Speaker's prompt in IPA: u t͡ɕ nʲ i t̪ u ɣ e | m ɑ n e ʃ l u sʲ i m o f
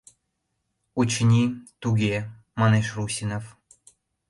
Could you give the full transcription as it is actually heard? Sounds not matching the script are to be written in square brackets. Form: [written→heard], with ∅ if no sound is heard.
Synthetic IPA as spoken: u t͡ɕ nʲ i t̪ u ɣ e | m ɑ n e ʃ [l→r] u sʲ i [m→n] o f